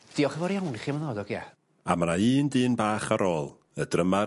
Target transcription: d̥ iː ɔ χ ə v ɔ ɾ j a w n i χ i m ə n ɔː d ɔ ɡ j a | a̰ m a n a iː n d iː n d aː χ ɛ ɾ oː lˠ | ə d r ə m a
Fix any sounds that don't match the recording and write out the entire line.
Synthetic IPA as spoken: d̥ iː ɔ χ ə v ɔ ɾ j a w n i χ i m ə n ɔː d ɔ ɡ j a | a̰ m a n a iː n d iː n b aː χ a ɾ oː lˠ | ə d r ə m a